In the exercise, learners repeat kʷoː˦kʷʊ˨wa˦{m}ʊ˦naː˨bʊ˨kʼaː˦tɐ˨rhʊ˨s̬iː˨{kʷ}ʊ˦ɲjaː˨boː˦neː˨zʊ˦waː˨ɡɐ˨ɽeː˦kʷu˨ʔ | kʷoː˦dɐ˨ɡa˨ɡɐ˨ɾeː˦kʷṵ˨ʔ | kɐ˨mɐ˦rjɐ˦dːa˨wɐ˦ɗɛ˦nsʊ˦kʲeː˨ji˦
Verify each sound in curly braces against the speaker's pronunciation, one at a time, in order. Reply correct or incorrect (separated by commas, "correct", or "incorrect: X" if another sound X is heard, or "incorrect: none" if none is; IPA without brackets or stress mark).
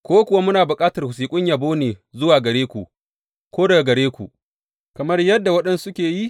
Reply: correct, incorrect: kʷʼ